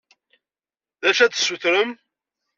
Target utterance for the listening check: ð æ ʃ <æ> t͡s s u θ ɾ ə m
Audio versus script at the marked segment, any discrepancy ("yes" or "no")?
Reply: no